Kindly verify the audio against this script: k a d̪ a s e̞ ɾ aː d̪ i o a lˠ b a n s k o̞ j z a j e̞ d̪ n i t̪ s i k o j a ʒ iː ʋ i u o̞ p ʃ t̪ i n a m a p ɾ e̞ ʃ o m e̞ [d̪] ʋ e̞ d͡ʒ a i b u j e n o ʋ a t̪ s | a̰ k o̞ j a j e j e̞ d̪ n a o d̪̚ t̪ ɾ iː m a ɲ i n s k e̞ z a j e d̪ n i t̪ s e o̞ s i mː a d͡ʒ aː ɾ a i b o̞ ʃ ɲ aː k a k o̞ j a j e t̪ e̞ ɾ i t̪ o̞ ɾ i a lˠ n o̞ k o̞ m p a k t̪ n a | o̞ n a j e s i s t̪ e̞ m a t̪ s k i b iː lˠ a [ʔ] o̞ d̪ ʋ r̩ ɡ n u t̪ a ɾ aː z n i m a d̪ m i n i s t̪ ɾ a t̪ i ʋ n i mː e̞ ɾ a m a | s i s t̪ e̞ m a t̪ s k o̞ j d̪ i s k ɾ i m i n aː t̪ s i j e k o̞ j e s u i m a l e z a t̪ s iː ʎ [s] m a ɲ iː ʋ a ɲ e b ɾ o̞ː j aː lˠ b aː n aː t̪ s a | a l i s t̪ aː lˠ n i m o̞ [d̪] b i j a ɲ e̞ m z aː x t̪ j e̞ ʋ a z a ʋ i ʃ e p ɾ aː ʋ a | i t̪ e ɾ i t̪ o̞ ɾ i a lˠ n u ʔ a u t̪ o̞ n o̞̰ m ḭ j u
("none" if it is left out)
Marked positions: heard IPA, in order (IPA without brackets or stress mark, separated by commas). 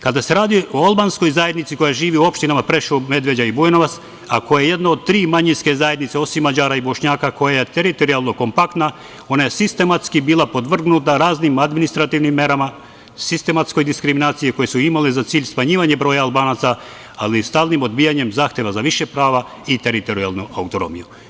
d̪, p, s, d̪